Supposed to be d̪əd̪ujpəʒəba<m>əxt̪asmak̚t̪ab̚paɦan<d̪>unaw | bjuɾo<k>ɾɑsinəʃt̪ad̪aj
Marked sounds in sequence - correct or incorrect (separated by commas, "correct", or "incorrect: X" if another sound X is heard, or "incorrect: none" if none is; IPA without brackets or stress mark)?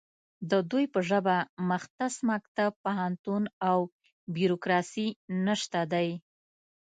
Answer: correct, incorrect: t̪, correct